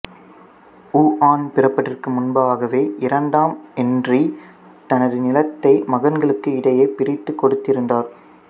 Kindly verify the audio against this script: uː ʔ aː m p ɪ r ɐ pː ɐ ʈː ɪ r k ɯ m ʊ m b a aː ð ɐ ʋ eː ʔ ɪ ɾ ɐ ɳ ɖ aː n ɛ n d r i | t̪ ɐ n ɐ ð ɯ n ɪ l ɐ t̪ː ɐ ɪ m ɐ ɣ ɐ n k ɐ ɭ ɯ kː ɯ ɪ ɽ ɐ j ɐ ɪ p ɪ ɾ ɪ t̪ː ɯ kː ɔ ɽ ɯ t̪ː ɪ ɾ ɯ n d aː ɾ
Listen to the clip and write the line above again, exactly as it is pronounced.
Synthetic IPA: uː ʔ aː n p ɪ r ɐ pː ɐ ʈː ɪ r k ɯ m ʊ n b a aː ɣ ɐ ʋ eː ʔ ɪ ɾ ɐ ɳ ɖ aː m ɛ n d r i | t̪ ɐ n ɐ ð ɯ n ɪ l ɐ t̪ː ɐ ɪ m ɐ ɣ ɐ n ɡ ɐ ɭ ɯ kː ɯ ɪ ɽ ɐ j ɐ ɪ p ɪ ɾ ɪ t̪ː ɯ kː ɔ ɽ ɯ t̪ː ɪ ɾ ɯ n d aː ɾ

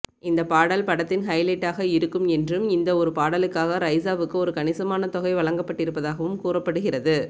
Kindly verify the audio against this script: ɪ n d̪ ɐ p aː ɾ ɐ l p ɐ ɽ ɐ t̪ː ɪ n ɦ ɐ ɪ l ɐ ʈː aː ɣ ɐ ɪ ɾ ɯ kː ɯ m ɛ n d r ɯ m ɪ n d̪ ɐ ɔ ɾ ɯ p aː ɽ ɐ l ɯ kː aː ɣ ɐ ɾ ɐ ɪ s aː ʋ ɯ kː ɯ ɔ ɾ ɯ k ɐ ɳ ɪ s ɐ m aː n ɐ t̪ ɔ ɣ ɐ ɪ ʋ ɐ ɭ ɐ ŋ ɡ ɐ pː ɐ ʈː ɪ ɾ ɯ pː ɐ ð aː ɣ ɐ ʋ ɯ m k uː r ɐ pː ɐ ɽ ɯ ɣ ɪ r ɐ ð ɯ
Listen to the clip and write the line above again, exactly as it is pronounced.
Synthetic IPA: ɪ n d̪ ɐ p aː ɽ ɐ l p ɐ ɽ ɐ t̪ː ɪ n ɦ ɐ ɪ l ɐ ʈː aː ɣ ɐ ɪ ɾ ɯ kː ɯ m ɛ n d r ɯ m ɪ n d̪ ɐ ɔ ɾ ɯ p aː ɽ ɐ l ɯ kː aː ɣ ɐ ɾ ɐ ɪ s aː ʋ ɯ kː ɯ ɔ ɾ ɯ k ɐ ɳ ɪ s ɐ m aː n ɐ t̪ ɔ ɣ ɐ ɪ ʋ ɐ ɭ ɐ ŋ ɡ ɐ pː ɐ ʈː ɪ ɾ ɯ pː ɐ ð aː ɣ ɐ ʋ ɯ m k uː r ɐ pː ɐ ɽ ɯ ɣ ɪ r ɐ ð ɯ

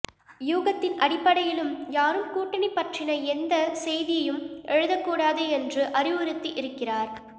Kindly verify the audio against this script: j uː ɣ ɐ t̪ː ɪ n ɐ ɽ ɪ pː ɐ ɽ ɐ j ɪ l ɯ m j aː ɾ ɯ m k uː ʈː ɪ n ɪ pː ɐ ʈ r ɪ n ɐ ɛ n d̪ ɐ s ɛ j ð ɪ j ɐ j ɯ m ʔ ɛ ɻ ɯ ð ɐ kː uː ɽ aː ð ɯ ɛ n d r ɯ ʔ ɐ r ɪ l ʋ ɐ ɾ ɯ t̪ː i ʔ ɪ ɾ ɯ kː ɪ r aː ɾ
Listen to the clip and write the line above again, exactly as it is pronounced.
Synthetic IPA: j uː ɣ ɐ t̪ː ɪ n ɐ ɽ ɪ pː ɐ ɽ ɐ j ɪ l ɯ m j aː ɾ ɯ m k uː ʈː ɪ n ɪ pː ɐ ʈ r ɪ n ɐ ɛ n d̪ ɐ s ɛ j ð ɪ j ɐ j ɯ m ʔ ɛ ɻ ɯ ð ɐ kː uː ɽ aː ð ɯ ɛ n d r ɯ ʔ ɐ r ɪ ʋ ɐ ɾ ɯ t̪ː i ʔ ɪ ɾ ɯ kː ɪ r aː ɾ

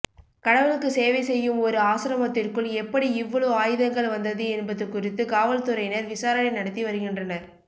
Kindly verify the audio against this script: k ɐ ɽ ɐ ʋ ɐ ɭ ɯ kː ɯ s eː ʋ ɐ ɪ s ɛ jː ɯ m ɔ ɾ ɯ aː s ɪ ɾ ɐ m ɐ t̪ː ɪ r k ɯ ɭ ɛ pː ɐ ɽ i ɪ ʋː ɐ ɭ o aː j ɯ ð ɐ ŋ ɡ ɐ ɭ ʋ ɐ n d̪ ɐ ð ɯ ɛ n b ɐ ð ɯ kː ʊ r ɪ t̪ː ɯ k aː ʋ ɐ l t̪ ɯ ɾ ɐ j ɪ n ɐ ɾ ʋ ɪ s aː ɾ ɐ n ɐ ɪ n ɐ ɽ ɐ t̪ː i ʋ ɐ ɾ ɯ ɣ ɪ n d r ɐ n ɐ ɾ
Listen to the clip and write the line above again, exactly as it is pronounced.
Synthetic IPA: k ɐ ɽ ɐ ʋ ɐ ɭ ɯ kː ɯ s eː ʋ ɐ ɪ s ɛ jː ɯ m ɔ ɾ ɯ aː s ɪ ɾ ɐ m ɐ t̪ː ɪ r k ɯ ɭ ɛ pː ɐ ɽ i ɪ ʋː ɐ ɭ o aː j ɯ ð ɐ ŋ ɡ ɐ ɭ ʋ ɐ n d̪ ɐ ð ɯ ɛ n b ɐ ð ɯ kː ʊ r ɪ t̪ː ɯ k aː ʋ ɐ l t̪ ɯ ɾ ɐ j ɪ n ɐ ɾ ʋ ɪ s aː ɾ ɐ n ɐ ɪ n ɐ ɽ ɐ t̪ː i ʋ ɐ ɾ ɯ ɣ ɪ n d r ɐ n ɐ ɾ

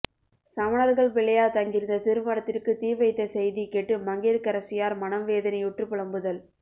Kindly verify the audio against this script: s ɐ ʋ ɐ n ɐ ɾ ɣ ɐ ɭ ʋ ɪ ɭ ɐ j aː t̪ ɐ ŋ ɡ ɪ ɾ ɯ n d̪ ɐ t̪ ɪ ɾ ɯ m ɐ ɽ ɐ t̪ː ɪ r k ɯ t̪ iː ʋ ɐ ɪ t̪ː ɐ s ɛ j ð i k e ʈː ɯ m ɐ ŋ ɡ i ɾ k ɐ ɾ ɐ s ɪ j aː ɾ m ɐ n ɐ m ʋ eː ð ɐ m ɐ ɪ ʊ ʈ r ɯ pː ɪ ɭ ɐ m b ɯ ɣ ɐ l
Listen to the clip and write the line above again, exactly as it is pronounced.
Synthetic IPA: s ɐ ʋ ɐ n ɐ ɾ ɣ ɐ ɭ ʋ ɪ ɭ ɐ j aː t̪ ɐ ŋ ɡ ɪ ɾ ɯ n d̪ ɐ t̪ ɪ ɾ ɯ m ɐ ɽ ɐ t̪ː ɪ r k ɯ t̪ iː ʋ ɐ ɪ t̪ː ɐ s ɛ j ð i k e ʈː ɯ m ɐ ŋ ɡ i ɾ k ɐ ɾ ɐ s ɪ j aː ɾ m ɐ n ɐ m ʋ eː ð ɐ n ɐ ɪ ʊ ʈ r ɯ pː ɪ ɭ ɐ m b ɯ ð ɐ l

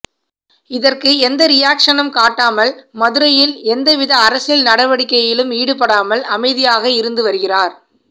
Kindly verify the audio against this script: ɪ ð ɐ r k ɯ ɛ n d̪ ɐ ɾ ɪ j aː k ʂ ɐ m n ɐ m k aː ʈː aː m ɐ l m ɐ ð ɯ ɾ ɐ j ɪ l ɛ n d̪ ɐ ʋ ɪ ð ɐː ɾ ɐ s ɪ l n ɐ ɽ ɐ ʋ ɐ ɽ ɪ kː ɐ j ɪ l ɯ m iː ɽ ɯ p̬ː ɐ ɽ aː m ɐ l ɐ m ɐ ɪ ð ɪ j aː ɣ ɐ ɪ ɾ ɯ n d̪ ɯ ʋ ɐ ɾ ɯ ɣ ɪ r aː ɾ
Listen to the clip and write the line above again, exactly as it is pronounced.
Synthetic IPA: ɪ ð ɐ r k ɯ ɛ n d̪ ɐ ɾ ɪ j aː k ʂ ɐ n ɐ m k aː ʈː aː m ɐ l m ɐ ð ɯ ɾ ɐ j ɪ l ɛ n d̪ ɐ ʋ ɪ ð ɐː ɾ ɐ s ɪ l n ɐ ɽ ɐ ʋ ɐ ɽ ɪ kː ɐ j ɪ l ɯ m iː ɽ ɯ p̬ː ɐ ɽ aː m ɐ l ɐ m ɐ ɪ ð ɪ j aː ɣ ɐ ɪ ɾ ɯ n d̪ ɯ ʋ ɐ ɾ ɯ ɣ ɪ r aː ɾ

